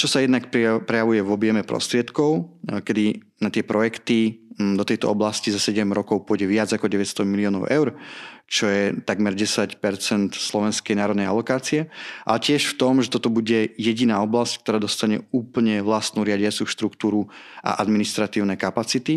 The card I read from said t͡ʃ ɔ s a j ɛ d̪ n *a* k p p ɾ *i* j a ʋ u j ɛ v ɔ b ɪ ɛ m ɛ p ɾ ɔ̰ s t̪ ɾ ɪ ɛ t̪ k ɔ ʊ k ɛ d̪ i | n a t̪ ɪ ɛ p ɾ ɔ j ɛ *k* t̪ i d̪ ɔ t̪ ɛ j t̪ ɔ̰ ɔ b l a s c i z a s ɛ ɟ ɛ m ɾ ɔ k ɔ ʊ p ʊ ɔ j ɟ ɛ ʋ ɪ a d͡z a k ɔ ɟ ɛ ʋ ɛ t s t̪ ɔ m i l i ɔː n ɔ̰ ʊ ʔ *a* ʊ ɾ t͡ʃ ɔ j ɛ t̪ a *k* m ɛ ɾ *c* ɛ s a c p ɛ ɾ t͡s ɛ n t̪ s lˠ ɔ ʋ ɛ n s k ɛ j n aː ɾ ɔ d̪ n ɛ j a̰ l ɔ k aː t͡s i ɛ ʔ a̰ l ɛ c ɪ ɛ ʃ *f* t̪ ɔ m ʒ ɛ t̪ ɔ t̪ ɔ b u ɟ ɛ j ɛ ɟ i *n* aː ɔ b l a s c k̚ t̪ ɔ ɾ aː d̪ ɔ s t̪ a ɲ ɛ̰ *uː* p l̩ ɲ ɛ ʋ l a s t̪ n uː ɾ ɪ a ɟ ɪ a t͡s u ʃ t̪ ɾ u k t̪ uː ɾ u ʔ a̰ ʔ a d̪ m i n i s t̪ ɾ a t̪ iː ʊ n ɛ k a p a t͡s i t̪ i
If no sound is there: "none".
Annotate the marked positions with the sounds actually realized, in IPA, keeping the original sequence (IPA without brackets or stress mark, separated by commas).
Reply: a, ɛ, k, ɛ, ɡ, ɟ, f, n, uː